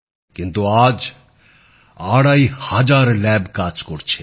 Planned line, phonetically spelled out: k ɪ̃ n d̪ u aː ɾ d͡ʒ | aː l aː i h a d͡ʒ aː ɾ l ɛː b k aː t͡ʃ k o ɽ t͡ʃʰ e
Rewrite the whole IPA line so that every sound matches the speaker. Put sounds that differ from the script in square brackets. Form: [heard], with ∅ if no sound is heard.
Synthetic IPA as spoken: k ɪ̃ n [t̪] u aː [∅] d͡ʒ | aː [ɽ] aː i h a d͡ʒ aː ɾ l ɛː b k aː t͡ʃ k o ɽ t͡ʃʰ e